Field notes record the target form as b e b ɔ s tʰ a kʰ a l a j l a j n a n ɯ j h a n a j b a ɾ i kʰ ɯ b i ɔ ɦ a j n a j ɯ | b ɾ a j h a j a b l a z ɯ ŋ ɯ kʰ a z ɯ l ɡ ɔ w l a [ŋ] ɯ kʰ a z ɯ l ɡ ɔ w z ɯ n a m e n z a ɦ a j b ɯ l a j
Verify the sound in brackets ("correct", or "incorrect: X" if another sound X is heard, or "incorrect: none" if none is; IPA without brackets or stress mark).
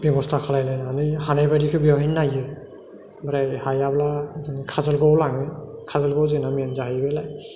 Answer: correct